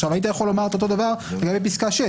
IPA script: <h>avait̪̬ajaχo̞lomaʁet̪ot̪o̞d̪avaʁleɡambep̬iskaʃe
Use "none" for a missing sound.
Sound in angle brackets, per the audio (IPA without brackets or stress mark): ʃ